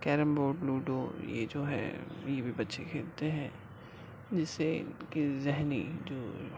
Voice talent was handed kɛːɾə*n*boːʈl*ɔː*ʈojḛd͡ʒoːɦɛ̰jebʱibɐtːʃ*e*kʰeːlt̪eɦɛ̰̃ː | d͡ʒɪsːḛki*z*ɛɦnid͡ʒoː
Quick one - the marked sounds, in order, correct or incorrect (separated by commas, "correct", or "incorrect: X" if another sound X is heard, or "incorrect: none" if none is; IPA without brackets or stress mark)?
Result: incorrect: m, incorrect: uː, correct, correct